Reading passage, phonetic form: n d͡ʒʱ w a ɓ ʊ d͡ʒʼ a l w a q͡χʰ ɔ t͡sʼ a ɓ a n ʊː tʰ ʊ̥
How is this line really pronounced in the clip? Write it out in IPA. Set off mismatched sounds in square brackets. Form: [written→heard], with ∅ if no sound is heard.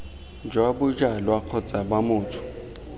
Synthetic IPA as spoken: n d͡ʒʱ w a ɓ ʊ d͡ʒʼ a l w a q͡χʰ ɔ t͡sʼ a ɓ a [n→m] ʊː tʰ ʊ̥